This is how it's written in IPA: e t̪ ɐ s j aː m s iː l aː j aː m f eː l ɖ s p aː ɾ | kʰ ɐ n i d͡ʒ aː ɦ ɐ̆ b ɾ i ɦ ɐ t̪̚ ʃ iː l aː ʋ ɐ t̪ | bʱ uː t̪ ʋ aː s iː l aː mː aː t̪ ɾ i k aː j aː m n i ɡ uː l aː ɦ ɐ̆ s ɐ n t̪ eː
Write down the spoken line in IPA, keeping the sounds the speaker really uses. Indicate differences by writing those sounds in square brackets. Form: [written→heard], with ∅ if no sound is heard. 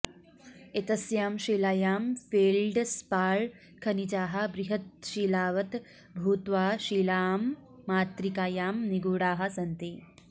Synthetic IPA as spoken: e t̪ ɐ s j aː m [s→ʃ] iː l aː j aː m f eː l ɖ s p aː [ɾ→ɭ] | kʰ ɐ n i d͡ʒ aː ɦ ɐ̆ b ɾ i ɦ ɐ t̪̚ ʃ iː l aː ʋ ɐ t̪ | bʱ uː t̪ ʋ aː [s→ʃ] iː l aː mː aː t̪ ɾ i k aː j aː m n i ɡ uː [l→ɽ] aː ɦ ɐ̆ s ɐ n t̪ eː